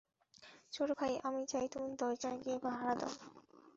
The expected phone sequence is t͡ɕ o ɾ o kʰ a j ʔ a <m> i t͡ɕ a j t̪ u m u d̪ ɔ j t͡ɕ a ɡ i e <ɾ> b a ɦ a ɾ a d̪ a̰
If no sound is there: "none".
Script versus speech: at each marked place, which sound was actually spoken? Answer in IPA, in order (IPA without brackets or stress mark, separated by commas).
m, none